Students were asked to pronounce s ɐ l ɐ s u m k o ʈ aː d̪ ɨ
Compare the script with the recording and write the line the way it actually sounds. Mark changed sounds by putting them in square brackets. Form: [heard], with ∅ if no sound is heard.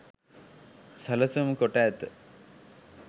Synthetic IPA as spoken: s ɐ l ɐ s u m k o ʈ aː [t̪] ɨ

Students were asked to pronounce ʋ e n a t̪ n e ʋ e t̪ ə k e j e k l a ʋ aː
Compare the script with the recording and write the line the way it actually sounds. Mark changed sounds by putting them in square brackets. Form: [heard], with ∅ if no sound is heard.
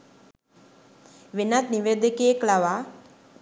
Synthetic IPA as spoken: ʋ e n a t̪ n [i] ʋ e [d̪] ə k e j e k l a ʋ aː

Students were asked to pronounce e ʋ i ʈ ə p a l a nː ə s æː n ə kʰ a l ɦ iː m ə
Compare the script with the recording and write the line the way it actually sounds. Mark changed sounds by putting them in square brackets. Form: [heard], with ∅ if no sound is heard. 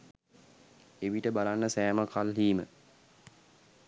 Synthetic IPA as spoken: e ʋ i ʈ ə [b] a l a nː ə s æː [m] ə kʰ a l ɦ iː m ə

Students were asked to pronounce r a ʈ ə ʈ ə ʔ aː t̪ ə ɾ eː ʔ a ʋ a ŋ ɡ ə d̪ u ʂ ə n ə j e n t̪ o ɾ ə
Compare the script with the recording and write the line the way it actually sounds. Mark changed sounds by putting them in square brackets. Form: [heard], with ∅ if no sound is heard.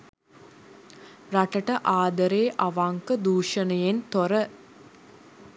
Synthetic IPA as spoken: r a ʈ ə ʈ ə ʔ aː [d̪] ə ɾ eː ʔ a ʋ a ŋ [k] ə d̪ [uː] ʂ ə n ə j e n t̪ o ɾ ə

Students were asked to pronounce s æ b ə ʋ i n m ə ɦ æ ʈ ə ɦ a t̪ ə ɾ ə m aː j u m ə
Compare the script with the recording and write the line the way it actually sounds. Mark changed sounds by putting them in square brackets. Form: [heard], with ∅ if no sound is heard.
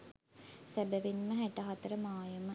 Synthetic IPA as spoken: s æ b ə ʋ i n m ə ɦ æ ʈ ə ɦ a t̪ ə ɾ ə m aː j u m ə

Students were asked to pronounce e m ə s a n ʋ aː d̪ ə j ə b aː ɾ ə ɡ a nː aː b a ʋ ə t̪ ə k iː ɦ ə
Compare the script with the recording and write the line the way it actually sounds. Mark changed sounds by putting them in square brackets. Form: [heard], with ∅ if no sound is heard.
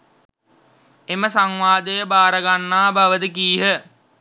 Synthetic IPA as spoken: e m ə s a [ŋ] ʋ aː d̪ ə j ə b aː ɾ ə ɡ a nː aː b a ʋ ə [d̪] ə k iː ɦ ə

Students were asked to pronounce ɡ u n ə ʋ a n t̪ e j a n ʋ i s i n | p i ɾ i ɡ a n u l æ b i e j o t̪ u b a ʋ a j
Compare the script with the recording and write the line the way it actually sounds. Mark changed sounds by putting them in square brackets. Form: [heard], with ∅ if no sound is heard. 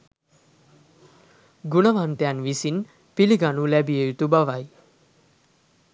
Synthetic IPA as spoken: ɡ u n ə ʋ a n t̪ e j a n ʋ i s i n | p i [l] i ɡ a n u l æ b i e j [u] t̪ u b a ʋ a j

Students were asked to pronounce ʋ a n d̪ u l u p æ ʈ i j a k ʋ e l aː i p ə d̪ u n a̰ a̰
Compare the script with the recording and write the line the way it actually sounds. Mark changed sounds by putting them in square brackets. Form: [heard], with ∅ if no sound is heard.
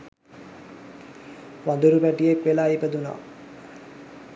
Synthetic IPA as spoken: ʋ a n d̪ u [ɾ] u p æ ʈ i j [e] k ʋ e l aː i p ə d̪ u n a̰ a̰

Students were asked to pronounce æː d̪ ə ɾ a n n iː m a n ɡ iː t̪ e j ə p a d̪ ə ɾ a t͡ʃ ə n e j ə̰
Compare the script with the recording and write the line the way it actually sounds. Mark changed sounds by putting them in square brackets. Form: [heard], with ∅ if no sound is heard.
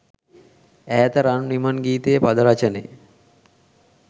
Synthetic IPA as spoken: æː [t̪] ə ɾ a n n [i] m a n ɡ iː t̪ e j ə p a d̪ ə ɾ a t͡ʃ ə n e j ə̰

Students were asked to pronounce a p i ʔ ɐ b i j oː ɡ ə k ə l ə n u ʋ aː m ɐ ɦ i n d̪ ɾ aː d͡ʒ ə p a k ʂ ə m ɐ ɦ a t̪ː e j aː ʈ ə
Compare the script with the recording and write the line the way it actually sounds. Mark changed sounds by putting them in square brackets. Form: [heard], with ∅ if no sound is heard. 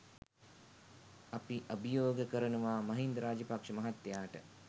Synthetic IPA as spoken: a p i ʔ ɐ b i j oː ɡ ə k ə [ɾ] ə n u ʋ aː m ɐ ɦ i n d̪ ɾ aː d͡ʒ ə p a k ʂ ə m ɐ ɦ a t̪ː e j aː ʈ ə

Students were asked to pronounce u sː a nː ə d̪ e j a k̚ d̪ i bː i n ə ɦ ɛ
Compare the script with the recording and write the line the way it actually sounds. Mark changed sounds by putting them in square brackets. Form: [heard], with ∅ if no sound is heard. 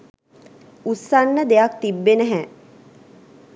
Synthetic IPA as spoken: u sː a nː ə d̪ e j a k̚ [t̪] i bː [e] n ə ɦ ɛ

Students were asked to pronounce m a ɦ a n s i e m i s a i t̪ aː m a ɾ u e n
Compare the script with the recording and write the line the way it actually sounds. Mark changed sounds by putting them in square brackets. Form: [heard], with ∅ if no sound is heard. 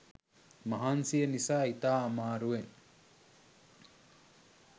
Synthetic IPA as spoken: m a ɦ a n s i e [n] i s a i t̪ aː m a ɾ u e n

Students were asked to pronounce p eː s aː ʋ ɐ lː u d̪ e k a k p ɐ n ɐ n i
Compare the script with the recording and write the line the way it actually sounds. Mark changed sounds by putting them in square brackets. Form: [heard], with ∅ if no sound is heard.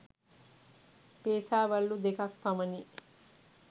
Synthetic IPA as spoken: p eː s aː ʋ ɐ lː u d̪ e k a k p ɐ [m] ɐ n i

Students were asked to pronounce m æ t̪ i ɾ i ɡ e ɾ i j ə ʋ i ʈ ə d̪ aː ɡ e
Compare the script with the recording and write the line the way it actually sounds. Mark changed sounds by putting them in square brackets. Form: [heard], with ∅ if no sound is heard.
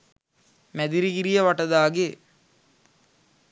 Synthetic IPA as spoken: m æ [d̪] i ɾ i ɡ [i] ɾ i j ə ʋ [a] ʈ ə d̪ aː ɡ e

